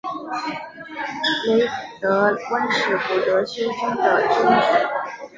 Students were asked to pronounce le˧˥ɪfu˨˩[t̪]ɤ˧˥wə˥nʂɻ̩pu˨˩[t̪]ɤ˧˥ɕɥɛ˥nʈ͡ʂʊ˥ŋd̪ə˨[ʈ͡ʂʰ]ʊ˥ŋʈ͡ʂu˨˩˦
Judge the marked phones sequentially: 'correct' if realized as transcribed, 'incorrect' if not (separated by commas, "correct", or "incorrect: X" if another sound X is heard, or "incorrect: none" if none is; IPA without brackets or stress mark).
correct, correct, incorrect: ʈ͡ʂ